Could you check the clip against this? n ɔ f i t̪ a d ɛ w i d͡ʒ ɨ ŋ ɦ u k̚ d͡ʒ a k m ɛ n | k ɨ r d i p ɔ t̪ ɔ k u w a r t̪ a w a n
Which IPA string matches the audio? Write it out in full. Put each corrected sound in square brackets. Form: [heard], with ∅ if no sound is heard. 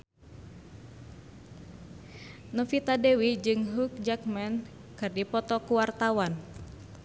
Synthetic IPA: n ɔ f i t̪ a d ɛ w i d͡ʒ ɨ ŋ ɦ u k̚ d͡ʒ a k m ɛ n | k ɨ r d i p ɔ t̪ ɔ k u w a r t̪ a w a n